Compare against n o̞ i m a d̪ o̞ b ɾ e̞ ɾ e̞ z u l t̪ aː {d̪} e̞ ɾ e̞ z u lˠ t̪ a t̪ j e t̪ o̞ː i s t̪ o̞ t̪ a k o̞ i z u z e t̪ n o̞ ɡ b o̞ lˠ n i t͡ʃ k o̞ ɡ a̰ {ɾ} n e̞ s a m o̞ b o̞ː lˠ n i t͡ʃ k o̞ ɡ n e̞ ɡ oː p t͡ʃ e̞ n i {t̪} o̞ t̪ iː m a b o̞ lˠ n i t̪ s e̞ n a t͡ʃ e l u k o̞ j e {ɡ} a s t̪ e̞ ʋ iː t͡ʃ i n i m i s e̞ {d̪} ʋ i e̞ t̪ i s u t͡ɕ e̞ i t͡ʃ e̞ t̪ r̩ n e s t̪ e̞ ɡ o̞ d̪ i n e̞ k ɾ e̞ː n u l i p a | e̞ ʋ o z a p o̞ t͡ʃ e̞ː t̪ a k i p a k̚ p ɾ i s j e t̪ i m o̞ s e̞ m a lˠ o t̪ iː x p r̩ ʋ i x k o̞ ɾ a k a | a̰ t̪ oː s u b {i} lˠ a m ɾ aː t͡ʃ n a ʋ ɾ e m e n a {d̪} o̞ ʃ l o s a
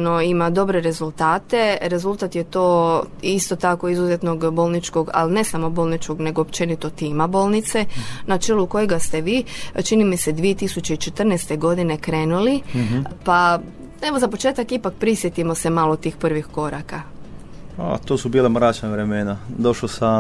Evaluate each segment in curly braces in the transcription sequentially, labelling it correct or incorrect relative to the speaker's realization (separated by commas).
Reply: incorrect, incorrect, correct, correct, correct, incorrect, correct